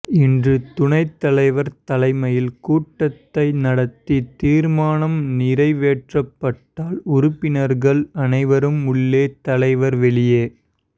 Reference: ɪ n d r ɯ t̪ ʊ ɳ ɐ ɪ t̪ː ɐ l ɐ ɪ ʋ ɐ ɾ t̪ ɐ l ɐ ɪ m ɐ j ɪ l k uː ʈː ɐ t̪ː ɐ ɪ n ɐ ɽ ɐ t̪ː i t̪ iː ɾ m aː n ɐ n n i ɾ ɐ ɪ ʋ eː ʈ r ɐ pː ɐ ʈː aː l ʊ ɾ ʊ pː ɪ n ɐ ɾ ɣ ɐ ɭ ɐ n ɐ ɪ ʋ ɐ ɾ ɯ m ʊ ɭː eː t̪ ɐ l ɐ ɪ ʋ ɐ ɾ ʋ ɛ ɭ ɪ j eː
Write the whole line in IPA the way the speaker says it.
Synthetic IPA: ɪ n d r ɯ t̪ ʊ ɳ ɐ ɪ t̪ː ɐ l ɐ ɪ ʋ ɐ ɾ t̪ ɐ l ɐ ɪ m ɐ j ɪ l k uː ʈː ɐ t̪ː ɐ ɪ n ɐ ɽ ɐ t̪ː i t̪ iː ɾ m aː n ɐ m n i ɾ ɐ ɪ ʋ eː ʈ r ɐ pː ɐ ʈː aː l ʊ ɾ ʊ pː ɪ n ɐ ɾ ɣ ɐ ɭ ɐ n ɐ ɪ ʋ ɐ ɾ ɯ m ʊ ɭː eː t̪ ɐ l ɐ ɪ ʋ ɐ ɾ ʋ ɛ ɭ ɪ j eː